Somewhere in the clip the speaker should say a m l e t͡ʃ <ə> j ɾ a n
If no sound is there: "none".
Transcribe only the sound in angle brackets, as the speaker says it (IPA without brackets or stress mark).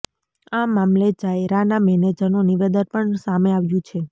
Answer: a